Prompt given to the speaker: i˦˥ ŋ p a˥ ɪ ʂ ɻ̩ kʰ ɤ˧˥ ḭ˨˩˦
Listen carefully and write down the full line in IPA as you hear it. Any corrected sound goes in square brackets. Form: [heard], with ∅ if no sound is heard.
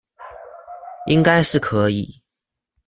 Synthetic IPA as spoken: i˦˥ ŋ [k] a˥ ɪ ʂ ɻ̩ kʰ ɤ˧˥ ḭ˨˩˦